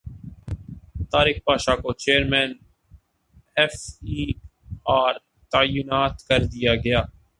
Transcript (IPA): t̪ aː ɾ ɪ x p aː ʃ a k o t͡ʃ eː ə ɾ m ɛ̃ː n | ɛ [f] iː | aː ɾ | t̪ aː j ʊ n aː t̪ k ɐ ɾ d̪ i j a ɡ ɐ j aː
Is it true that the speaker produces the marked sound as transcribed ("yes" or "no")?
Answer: yes